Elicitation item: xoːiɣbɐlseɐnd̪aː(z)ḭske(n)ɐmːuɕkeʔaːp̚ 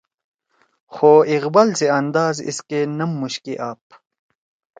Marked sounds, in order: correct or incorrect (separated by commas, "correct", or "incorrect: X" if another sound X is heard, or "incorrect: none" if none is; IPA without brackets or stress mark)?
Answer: correct, correct